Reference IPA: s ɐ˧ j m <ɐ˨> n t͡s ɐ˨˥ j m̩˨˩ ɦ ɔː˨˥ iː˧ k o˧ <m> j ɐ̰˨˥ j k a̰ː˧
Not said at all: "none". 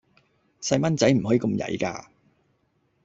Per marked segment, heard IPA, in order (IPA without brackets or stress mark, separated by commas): ɐ˥, m